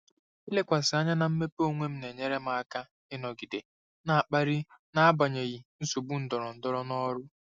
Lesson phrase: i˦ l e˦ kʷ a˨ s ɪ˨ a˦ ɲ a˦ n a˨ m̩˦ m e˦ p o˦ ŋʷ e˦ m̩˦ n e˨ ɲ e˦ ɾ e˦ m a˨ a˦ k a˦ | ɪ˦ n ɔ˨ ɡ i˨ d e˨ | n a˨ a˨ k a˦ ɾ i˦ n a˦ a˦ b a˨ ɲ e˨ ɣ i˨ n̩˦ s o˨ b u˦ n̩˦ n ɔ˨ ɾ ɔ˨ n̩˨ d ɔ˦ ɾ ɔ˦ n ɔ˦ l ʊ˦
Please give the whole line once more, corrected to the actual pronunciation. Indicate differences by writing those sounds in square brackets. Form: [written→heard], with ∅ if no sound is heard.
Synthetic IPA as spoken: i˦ l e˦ kʷ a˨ s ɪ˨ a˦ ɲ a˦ n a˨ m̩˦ m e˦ p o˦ ŋʷ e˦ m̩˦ n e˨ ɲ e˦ ɾ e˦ m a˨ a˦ k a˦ | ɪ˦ n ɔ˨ ɡ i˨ d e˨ | n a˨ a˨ [k→k͡p] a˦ ɾ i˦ n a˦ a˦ b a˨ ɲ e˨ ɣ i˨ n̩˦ s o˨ b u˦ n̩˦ [n→d] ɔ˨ ɾ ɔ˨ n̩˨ d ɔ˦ ɾ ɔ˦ n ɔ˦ [l→ɾ] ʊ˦